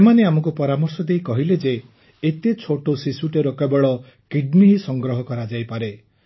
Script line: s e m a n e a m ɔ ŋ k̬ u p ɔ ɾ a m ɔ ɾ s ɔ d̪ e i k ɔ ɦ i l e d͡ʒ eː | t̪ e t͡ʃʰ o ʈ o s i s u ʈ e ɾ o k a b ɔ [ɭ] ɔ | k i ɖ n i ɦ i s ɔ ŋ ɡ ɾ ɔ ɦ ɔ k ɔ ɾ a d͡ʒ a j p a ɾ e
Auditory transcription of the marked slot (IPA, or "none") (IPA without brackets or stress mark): ɭ